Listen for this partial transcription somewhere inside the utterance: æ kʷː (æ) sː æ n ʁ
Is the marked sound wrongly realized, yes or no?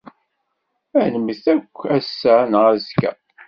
no